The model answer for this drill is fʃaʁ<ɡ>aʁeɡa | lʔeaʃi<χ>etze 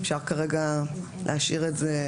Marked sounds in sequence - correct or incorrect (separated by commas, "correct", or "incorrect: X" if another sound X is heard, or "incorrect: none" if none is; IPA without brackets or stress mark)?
incorrect: k, incorrect: ʁ